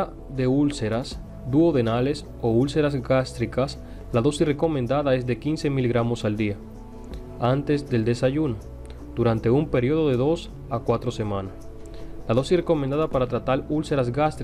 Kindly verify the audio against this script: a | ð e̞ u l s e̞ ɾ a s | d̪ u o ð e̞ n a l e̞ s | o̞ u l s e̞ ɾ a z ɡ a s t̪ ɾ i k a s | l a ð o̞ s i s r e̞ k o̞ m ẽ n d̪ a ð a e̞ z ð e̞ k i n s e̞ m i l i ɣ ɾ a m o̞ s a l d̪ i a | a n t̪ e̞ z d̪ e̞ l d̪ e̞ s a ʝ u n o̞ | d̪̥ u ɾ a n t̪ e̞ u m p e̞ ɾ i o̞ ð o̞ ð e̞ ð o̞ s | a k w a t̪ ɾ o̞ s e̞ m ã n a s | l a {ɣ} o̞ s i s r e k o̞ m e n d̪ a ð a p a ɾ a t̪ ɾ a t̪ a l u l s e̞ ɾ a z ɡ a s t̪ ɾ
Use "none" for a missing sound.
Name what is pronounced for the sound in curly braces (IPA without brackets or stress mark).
ð